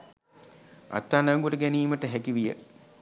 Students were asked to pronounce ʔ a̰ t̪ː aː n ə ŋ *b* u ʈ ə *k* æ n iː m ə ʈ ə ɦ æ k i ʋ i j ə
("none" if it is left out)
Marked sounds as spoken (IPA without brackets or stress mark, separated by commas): ɡ, ɡ